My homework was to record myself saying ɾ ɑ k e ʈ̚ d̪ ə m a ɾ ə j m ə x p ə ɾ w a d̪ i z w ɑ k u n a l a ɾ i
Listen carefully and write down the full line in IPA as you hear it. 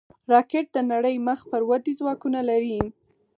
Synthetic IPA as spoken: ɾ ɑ k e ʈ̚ d̪ ə n a ɽ ə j m ə x p ə ɾ w a d̪ i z w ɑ k u n a l a ɾ i